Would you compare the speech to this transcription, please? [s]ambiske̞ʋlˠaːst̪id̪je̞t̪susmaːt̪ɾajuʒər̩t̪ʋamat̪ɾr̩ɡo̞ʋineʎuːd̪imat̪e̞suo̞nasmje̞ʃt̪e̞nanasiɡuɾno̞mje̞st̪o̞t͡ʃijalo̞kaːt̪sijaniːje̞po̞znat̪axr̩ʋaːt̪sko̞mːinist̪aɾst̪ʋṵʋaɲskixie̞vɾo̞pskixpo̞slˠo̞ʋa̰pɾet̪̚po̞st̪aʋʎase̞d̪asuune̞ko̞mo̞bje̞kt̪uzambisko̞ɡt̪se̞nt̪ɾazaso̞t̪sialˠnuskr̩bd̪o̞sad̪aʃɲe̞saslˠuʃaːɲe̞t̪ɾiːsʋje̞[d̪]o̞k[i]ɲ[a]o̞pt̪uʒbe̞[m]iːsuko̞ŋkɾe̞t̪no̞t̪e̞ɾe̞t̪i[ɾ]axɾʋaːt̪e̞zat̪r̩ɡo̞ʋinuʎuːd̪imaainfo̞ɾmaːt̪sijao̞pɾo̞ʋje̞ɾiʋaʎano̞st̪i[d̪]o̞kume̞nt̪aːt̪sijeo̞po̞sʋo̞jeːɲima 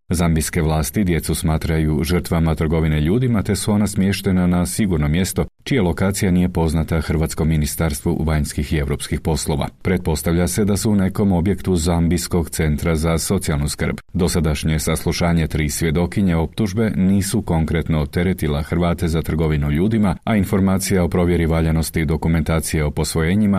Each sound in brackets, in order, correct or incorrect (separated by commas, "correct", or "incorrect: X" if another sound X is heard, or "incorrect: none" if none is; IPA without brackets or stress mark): incorrect: z, correct, correct, incorrect: e, incorrect: n, incorrect: l, correct